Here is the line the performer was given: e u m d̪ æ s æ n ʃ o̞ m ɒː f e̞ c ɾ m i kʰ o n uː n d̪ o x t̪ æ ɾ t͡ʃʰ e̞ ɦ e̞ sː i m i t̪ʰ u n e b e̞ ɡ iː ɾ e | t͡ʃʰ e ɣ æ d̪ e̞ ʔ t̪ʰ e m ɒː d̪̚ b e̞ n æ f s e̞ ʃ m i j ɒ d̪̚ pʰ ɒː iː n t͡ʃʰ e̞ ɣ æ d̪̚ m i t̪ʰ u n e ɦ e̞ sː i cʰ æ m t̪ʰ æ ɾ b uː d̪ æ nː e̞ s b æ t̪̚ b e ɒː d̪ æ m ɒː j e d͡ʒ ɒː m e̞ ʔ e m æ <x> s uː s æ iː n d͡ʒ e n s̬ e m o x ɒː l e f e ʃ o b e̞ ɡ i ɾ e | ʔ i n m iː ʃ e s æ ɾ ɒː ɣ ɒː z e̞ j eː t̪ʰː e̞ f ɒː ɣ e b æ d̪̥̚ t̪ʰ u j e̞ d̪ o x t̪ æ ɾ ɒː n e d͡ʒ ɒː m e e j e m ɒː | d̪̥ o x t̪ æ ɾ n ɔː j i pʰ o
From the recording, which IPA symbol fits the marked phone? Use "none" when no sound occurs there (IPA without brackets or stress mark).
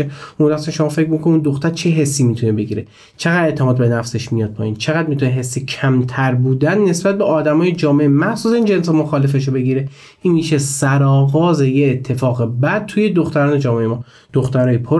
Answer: h